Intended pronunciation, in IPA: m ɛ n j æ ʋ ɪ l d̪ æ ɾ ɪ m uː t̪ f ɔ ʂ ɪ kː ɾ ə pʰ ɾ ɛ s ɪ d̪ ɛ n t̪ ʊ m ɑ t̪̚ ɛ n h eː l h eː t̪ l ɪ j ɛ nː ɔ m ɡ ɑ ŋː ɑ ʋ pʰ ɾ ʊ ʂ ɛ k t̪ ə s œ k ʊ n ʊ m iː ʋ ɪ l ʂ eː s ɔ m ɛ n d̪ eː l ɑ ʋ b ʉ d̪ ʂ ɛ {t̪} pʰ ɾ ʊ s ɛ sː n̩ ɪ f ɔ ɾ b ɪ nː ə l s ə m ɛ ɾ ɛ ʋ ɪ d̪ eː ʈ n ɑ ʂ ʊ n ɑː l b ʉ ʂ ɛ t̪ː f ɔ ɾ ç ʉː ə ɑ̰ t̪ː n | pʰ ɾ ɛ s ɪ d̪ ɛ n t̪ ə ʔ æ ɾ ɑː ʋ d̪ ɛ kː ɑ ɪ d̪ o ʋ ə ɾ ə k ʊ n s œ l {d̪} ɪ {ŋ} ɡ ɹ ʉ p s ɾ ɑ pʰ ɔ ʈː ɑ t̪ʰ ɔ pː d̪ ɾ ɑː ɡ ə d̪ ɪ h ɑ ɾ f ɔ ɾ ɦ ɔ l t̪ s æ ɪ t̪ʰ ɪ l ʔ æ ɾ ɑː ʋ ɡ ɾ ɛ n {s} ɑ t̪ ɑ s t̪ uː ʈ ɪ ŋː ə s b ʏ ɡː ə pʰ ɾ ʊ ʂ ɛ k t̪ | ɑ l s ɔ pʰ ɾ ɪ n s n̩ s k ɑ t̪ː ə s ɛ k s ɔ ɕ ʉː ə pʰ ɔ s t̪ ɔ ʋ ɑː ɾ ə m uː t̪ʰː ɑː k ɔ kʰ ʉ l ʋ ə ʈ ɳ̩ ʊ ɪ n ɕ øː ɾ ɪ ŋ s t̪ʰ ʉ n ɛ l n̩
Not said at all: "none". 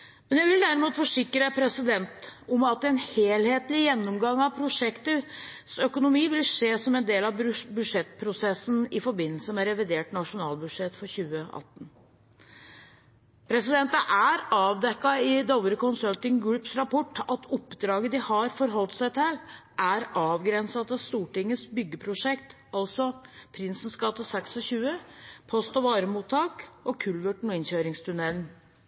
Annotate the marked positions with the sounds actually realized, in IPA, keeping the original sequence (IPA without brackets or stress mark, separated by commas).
t̪, t̪, ŋ, s